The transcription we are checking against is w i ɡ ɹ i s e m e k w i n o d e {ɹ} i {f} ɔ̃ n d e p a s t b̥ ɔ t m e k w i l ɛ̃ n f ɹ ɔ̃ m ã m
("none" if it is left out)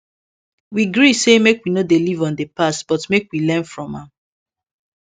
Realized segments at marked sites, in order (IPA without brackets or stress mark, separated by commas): l, v